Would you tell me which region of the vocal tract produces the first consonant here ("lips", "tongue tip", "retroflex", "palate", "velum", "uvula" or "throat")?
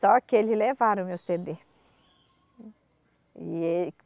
velum